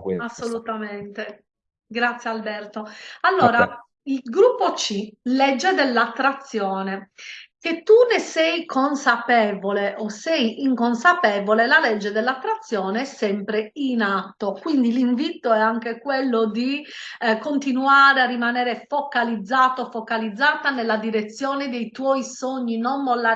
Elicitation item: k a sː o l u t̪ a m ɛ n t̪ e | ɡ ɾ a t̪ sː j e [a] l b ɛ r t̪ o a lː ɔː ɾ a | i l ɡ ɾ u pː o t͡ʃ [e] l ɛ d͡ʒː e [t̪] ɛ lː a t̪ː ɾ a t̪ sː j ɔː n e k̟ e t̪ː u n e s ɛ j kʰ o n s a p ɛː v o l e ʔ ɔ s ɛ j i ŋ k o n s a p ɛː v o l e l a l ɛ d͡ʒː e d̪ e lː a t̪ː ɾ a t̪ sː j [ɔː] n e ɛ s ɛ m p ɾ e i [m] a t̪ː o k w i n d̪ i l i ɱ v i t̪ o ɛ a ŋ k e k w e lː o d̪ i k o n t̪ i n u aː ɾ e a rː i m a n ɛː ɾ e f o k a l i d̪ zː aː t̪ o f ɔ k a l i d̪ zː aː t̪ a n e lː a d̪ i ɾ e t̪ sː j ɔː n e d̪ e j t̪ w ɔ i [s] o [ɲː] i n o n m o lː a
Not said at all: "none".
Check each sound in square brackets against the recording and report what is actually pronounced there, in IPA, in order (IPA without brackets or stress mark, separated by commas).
a, i, d̪, ɔː, n, s, ɲː